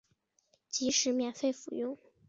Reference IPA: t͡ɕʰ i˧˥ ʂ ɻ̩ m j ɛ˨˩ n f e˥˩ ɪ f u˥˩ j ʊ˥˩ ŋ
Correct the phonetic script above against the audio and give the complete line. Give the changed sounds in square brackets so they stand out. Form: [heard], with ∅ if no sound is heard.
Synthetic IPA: [t͡ɕ] i˧˥ ʂ ɻ̩ m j ɛ˨˩ n f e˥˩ ɪ f [u˨˩] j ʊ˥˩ ŋ